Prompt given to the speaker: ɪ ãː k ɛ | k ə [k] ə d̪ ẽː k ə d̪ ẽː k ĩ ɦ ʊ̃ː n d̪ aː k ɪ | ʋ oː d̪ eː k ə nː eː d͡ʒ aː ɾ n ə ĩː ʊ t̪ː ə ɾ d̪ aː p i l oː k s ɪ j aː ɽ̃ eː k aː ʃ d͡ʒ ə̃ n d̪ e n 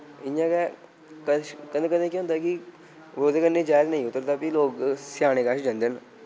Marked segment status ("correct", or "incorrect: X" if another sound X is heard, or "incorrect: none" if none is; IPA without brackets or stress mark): correct